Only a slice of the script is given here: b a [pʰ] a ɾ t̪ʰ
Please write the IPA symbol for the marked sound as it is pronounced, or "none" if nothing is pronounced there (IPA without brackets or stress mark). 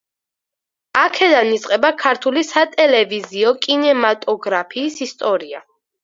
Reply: kʰ